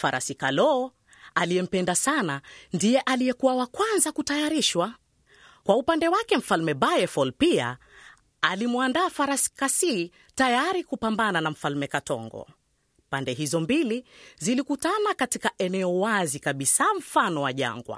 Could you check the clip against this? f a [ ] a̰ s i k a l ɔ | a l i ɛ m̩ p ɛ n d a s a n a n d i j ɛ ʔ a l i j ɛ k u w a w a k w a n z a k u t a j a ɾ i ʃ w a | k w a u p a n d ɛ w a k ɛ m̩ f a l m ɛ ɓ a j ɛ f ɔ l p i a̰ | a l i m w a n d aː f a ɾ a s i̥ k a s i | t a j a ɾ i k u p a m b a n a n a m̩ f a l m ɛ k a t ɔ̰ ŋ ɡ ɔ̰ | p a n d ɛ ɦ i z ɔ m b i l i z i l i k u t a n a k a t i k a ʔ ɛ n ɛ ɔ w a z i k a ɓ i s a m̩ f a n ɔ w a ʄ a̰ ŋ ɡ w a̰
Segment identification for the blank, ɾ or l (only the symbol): ɾ